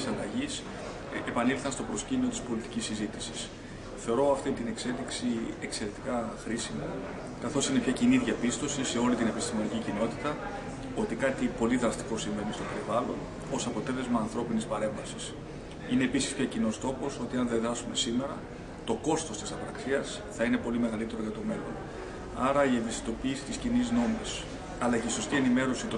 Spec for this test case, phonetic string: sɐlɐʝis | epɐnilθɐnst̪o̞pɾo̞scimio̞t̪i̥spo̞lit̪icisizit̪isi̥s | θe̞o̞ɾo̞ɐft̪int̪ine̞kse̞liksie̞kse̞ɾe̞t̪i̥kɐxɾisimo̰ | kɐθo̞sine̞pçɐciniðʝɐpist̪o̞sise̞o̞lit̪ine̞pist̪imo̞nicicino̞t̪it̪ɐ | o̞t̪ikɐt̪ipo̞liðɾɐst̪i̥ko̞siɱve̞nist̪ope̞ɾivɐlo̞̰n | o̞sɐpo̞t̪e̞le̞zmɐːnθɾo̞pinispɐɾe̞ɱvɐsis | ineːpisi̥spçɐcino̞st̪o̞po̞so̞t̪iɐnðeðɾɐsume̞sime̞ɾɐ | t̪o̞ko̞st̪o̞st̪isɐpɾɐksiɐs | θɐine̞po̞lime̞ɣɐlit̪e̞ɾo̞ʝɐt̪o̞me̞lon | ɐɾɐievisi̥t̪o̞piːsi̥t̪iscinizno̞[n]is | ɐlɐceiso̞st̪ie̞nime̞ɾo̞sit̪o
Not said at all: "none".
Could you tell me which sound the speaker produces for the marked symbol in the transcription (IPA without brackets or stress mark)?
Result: m